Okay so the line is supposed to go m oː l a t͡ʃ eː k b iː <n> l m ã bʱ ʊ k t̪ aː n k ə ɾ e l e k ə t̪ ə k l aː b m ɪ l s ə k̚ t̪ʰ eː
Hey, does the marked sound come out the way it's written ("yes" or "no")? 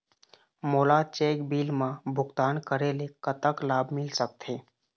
no